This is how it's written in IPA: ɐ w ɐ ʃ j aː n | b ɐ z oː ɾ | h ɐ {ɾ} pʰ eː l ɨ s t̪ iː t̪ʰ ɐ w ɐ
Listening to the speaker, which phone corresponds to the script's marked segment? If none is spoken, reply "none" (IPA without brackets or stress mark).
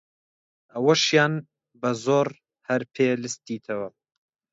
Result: ɾ